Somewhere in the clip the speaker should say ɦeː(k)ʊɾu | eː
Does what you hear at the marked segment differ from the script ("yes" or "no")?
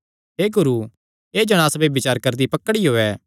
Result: yes